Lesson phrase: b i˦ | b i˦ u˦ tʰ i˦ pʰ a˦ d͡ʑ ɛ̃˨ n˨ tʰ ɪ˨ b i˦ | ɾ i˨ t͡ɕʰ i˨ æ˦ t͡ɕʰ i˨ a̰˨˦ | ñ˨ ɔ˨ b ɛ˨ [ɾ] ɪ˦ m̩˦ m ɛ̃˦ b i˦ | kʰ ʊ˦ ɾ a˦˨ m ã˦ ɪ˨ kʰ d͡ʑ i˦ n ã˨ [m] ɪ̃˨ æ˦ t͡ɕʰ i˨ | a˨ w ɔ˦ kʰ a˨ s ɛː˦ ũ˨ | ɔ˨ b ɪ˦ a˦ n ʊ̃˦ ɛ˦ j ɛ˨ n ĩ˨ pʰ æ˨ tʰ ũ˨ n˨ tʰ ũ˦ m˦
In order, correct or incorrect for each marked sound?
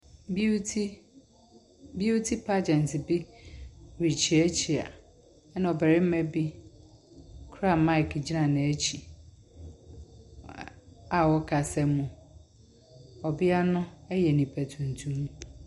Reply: correct, incorrect: n

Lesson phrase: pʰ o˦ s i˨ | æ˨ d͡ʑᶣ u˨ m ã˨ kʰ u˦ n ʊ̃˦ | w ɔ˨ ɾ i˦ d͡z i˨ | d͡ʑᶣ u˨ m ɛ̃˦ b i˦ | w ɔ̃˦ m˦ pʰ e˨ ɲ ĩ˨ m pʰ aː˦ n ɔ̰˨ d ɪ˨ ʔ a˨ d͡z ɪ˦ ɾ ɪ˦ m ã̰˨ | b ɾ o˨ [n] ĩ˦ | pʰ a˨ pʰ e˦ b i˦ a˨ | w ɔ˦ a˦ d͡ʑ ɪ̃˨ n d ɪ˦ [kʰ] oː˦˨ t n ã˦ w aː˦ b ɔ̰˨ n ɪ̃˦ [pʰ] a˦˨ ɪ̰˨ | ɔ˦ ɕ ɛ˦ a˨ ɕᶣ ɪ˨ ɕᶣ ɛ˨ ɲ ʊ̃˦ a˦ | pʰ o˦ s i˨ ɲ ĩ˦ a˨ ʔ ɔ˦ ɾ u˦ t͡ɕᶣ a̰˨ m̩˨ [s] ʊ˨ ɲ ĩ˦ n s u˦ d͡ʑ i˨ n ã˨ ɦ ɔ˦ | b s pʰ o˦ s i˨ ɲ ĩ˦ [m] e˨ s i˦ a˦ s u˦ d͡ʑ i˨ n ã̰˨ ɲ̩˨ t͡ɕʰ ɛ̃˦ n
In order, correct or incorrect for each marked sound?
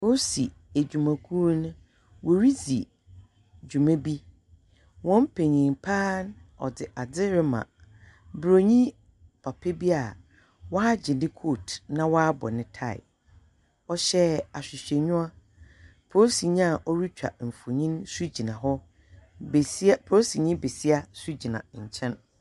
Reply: incorrect: ɲ, correct, incorrect: tʰ, incorrect: f, incorrect: b

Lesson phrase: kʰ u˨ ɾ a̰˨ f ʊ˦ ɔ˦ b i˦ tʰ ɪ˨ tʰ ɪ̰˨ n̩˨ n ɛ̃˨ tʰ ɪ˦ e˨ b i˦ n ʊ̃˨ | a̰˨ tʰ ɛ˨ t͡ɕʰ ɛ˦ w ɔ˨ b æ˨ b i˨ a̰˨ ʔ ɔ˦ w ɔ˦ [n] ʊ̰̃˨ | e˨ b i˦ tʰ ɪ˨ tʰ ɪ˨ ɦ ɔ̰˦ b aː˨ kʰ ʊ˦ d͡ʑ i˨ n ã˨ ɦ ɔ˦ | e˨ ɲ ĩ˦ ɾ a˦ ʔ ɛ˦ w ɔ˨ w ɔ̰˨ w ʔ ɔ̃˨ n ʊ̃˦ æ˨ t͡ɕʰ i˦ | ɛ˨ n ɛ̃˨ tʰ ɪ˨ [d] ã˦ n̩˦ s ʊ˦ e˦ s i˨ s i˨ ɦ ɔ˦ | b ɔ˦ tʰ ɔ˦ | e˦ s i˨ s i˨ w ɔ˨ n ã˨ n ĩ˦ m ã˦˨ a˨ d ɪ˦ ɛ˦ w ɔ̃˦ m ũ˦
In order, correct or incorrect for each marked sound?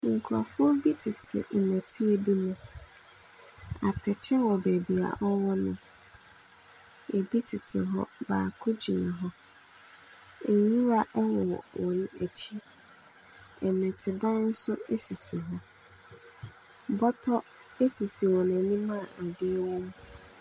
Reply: correct, correct

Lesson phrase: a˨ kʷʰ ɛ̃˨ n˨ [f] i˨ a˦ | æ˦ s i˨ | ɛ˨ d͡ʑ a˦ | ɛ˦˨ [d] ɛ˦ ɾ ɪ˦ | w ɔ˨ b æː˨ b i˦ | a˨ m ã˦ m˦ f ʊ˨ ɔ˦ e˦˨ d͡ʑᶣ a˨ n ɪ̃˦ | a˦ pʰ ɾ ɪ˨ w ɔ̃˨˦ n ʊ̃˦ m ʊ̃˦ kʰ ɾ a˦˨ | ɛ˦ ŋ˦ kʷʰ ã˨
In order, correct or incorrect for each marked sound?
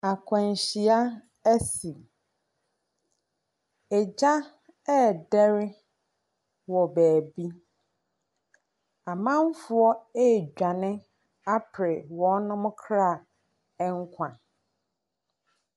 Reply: incorrect: ɕ, correct

